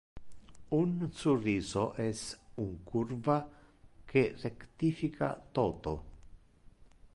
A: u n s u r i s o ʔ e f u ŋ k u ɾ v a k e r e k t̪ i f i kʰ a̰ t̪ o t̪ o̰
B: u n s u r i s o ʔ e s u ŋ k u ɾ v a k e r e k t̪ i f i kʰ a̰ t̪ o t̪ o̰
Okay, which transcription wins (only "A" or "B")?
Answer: B